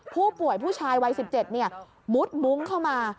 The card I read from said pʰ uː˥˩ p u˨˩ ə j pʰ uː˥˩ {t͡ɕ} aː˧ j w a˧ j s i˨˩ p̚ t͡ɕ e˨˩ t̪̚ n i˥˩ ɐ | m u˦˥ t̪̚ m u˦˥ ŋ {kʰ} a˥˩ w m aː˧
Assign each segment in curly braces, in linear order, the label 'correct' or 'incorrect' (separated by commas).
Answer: incorrect, correct